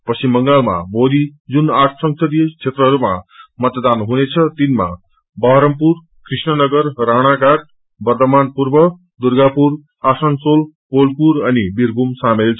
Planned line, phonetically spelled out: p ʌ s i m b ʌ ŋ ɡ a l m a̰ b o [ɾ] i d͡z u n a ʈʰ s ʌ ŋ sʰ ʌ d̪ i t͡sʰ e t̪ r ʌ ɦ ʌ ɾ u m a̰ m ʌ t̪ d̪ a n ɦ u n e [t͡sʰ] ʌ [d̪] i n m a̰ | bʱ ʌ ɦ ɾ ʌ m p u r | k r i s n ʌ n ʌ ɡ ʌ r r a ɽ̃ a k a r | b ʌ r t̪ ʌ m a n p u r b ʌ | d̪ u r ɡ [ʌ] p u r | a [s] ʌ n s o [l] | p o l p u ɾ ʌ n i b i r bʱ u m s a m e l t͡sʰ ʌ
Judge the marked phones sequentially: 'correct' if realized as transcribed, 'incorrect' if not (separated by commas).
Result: incorrect, correct, incorrect, incorrect, correct, correct